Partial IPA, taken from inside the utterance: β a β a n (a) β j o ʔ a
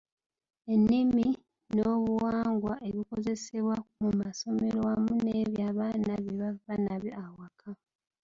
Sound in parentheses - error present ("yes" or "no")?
no